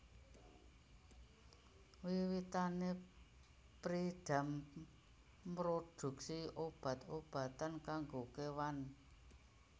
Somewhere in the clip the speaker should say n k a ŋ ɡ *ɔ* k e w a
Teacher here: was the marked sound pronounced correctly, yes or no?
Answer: no